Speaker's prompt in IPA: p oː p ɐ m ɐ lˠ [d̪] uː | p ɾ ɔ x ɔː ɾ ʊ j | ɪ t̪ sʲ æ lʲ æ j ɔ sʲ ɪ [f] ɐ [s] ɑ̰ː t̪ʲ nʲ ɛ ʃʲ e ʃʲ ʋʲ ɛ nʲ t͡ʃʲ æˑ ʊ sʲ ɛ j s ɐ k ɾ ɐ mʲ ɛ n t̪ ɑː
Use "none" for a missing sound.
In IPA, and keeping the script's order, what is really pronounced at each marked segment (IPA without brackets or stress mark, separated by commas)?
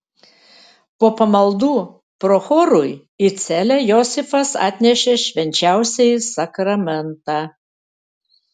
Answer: d̪, f, s